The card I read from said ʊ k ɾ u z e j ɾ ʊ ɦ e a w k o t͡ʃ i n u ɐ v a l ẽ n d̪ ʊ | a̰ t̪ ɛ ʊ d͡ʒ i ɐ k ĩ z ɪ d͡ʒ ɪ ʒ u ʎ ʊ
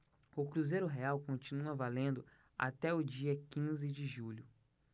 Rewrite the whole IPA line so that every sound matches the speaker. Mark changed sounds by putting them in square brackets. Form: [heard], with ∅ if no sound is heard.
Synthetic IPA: ʊ k ɾ u z e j ɾ ʊ ɦ e a w k [õ] t͡ʃ i n u ɐ v a l ẽ n d̪ ʊ | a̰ t̪ ɛ ʊ d͡ʒ i ɐ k ĩ z ɪ d͡ʒ ɪ ʒ u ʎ ʊ